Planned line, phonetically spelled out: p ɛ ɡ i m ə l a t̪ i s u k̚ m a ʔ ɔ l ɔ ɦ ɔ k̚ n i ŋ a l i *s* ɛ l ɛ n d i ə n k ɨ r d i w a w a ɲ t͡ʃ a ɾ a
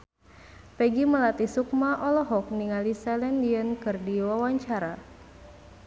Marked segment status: correct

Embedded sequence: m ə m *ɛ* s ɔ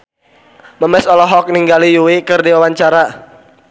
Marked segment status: correct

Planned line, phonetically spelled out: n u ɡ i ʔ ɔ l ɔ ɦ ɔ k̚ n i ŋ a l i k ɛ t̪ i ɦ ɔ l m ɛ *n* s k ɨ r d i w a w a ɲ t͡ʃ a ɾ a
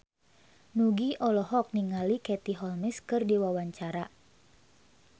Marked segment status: incorrect: none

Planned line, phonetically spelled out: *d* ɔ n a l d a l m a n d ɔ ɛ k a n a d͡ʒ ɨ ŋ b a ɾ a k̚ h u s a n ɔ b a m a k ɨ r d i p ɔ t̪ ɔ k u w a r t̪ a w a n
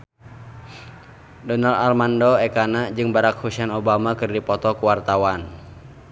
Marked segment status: correct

